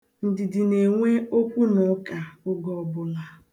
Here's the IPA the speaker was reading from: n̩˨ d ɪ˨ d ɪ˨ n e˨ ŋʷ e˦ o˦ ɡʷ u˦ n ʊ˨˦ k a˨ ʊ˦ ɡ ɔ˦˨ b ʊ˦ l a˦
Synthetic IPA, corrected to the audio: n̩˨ d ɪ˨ d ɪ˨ n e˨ ŋʷ e˦ o˦ kʷ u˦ n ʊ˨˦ k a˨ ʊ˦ ɡ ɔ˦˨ b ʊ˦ l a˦